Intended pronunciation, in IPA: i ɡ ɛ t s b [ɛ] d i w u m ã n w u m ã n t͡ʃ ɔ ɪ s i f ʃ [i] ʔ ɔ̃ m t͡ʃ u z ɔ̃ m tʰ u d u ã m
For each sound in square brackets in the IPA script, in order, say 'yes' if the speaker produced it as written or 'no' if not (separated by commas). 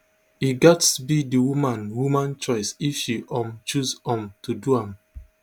no, yes